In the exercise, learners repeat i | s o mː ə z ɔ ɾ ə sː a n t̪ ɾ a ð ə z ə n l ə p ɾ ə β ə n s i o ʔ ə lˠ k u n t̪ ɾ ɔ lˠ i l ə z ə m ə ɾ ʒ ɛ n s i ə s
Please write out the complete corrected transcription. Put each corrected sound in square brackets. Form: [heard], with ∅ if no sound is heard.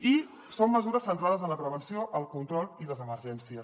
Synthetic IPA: i | s o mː ə z [u] ɾ ə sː [ə] n t̪ ɾ a ð ə z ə n l ə p ɾ ə β ə n s i o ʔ ə lˠ k u n t̪ ɾ ɔ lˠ i l ə z ə m ə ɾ ʒ ɛ n s i ə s

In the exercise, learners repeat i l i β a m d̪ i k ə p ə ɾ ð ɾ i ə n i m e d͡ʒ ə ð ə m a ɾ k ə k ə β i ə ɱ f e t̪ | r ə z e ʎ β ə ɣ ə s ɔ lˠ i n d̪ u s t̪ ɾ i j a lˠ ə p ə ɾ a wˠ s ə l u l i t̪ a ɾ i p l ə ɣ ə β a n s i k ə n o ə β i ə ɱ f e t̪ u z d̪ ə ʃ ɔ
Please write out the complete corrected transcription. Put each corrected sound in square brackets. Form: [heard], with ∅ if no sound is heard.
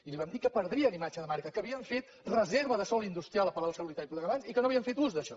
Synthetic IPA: i l i β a m d̪ i k ə p ə ɾ ð ɾ i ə n i m [a] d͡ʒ ə ð ə m a ɾ k ə k ə β i ə ɱ f e t̪ | r ə z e [ɾ] β ə [ð] ə s ɔ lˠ i n d̪ u s t̪ ɾ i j a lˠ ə p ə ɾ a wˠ s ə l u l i t̪ a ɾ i p l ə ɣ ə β a n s i k ə n o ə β i ə ɱ f e t̪ u z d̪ ə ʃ ɔ

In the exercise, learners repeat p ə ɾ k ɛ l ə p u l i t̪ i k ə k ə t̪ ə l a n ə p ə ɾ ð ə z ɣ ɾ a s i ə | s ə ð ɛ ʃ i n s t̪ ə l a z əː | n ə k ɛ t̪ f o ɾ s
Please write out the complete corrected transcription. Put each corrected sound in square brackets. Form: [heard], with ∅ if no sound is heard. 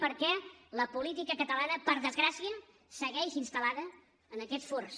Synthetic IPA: p ə ɾ k ɛ l ə p u l i t̪ i k ə k ə t̪ ə l a n ə p ə ɾ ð ə z ɣ ɾ a s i ə | s ə [ɣ] ɛ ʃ i n s t̪ ə l a [ð] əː | n ə k ɛ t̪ f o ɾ s

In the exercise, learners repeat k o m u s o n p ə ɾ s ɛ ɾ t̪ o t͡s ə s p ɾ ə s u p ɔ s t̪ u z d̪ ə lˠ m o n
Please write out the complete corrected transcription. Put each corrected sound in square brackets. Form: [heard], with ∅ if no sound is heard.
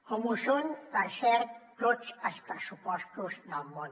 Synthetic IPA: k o m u s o n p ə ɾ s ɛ ɾ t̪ o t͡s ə s p ɾ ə s u p ɔ s t̪ u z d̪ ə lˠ m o n

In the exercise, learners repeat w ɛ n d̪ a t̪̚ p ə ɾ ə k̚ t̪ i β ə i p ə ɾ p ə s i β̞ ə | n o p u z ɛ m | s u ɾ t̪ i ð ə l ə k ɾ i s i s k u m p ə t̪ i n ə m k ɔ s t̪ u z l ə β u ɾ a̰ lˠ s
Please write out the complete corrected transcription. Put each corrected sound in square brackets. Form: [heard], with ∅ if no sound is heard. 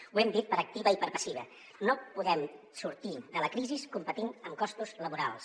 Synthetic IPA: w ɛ [m] d̪ [i] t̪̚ p ə ɾ ə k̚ t̪ i β ə i p ə ɾ p ə s i β̞ ə | n o p u [ð] ɛ m | s u ɾ t̪ i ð ə l ə k ɾ i [z] i s k u m p ə t̪ i n ə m k ɔ s t̪ u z l ə β u ɾ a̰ lˠ s

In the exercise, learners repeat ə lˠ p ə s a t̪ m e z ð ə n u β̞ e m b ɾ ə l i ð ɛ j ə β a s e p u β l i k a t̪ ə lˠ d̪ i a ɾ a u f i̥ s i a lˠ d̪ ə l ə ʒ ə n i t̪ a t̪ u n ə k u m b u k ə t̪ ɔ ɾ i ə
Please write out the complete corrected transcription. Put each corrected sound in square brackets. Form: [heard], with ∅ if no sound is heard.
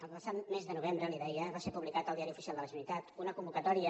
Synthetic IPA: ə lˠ p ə s a t̪ m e z ð ə n u β̞ e m b ɾ ə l i ð ɛ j ə β a s e p u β l i k a t̪ ə lˠ d̪ i a ɾ [i] u f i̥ s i a lˠ d̪ ə l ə ʒ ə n i t̪ a t̪ u n ə k u m b u k ə t̪ ɔ ɾ i ə

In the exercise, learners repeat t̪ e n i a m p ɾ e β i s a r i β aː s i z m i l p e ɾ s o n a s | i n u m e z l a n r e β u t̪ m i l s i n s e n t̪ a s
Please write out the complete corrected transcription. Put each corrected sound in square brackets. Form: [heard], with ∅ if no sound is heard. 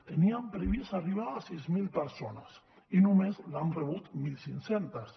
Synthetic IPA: t̪ e n i a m p ɾ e β i s a r i β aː s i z m i l p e ɾ s o n a s | i n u m e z l a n r e β u t̪ m i l s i n s e n t̪ a s

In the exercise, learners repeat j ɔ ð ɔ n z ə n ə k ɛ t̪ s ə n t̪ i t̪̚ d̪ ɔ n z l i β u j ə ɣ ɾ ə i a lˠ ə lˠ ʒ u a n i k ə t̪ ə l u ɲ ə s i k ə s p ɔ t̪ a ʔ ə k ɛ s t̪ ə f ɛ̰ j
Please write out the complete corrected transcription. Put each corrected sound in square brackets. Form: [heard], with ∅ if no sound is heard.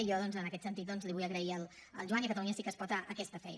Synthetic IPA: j ɔ ð ɔ n z ə n ə k ɛ t̪ s ə n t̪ i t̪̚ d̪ ɔ n z l i β u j ə ɣ ɾ ə i [ə] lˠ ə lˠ ʒ u a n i k ə t̪ ə l u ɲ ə s i k ə s p ɔ t̪ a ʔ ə k ɛ s t̪ ə f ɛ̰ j

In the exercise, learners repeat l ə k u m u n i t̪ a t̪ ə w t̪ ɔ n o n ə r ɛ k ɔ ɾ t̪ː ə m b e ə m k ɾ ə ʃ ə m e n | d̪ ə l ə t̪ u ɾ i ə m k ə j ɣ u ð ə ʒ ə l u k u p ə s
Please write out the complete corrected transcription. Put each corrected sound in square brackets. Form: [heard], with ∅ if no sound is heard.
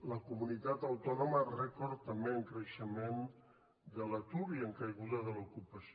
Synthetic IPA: l ə k u m u n i t̪ a t̪ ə w t̪ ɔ n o [m] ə r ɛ k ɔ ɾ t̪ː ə m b e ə [ŋ] k ɾ ə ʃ ə m e n | d̪ ə l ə t̪ u ɾ i ə [ŋ] k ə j ɣ u ð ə [ð] ə l u k u p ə s

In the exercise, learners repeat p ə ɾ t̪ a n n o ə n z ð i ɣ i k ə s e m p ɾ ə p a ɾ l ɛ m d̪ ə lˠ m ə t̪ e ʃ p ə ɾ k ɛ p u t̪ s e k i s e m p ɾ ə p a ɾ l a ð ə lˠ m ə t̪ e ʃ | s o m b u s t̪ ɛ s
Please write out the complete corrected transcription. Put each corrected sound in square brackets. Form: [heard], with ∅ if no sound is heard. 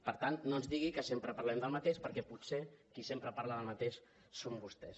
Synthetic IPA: p ə ɾ t̪ a n n o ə n z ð i ɣ i k ə s e m p ɾ ə p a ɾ l ɛ m d̪ ə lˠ m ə t̪ e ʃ p ə ɾ k ɛ p u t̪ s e k i s e m p ɾ ə p a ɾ l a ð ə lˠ m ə t̪ e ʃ | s o m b u s t̪ ɛ s

